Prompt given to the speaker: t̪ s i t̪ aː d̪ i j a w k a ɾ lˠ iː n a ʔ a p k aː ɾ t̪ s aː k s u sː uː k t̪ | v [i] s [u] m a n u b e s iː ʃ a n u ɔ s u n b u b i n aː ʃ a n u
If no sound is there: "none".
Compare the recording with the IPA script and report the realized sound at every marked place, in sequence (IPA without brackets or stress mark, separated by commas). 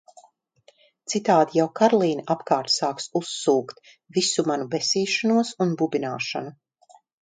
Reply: i, u